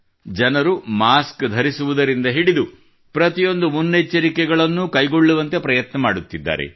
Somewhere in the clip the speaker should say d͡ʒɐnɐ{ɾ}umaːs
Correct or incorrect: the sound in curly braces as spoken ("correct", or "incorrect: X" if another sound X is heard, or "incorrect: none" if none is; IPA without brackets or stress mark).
correct